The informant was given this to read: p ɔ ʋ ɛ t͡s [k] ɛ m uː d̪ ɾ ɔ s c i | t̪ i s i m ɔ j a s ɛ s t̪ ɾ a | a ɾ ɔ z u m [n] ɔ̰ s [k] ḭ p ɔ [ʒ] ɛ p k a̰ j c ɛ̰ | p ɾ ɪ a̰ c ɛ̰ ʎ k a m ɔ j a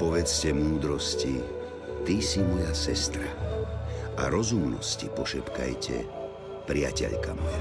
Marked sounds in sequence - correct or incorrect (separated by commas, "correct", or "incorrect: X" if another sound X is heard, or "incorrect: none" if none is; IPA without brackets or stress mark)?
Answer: incorrect: c, correct, incorrect: c, incorrect: ʃ